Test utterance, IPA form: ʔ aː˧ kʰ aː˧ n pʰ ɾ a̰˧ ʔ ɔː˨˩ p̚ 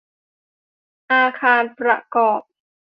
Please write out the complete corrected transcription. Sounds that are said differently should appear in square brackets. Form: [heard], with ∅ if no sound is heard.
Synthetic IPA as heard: ʔ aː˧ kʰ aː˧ n [p] ɾ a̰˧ [k] ɔː˨˩ p̚